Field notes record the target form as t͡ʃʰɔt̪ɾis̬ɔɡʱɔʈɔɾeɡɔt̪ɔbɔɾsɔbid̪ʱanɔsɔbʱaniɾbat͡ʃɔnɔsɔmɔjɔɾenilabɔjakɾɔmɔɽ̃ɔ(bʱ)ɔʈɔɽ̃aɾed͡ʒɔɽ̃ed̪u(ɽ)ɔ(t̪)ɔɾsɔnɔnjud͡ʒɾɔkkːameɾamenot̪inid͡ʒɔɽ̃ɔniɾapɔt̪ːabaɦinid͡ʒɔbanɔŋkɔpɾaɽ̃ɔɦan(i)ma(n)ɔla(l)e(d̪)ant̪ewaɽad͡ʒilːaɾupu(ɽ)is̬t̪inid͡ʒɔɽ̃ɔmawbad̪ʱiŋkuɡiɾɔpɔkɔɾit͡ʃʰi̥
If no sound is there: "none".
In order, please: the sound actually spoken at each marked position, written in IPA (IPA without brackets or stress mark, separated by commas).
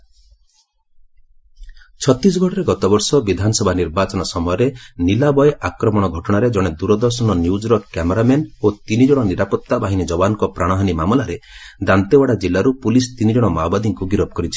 ɡʱ, ɾ, d̪, i, m, ɾ, d̪, l